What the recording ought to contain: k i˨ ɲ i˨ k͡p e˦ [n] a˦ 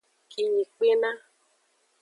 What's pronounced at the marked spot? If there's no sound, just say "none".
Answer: n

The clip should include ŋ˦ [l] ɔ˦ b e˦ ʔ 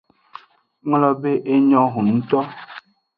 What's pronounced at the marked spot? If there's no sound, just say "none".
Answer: l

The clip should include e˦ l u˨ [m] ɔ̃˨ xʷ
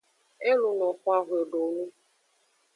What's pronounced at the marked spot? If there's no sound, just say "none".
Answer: n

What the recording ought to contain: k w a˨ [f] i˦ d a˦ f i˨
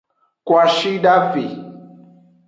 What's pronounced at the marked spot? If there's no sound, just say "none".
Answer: ʃ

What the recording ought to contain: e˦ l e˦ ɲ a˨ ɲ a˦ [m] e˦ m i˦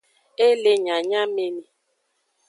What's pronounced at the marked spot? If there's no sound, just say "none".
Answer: m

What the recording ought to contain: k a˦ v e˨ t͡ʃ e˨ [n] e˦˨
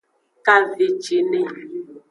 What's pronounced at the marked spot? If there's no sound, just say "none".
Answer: n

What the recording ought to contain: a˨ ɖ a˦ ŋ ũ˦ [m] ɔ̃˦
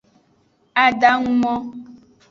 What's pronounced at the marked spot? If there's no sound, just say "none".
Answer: m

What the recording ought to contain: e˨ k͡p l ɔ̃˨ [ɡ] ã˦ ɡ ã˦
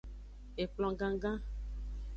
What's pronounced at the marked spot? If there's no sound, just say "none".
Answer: ɡ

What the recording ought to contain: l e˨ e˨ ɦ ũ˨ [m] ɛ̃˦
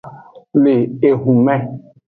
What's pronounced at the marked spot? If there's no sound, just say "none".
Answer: m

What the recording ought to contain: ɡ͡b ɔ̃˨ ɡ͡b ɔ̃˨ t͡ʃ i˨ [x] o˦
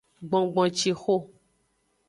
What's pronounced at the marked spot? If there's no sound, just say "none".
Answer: x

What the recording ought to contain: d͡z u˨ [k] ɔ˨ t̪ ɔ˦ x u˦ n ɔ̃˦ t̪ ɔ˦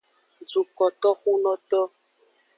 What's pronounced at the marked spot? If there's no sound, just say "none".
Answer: k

